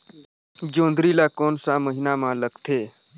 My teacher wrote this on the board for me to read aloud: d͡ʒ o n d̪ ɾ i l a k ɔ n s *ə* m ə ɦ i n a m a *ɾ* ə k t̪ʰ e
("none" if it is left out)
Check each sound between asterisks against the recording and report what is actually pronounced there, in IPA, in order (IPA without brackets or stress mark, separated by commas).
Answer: a, l